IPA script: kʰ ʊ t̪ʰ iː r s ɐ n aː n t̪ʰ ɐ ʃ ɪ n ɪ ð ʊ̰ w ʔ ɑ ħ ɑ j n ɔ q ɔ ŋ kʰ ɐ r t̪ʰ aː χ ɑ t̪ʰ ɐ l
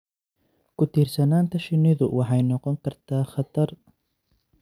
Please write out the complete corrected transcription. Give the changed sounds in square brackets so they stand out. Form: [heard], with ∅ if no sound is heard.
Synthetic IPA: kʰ ʊ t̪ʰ iː r s ɐ n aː n t̪ʰ ɐ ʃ ɪ n ɪ ð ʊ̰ w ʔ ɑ ħ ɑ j n ɔ q ɔ ŋ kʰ ɐ r t̪ʰ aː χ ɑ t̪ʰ ɐ [r]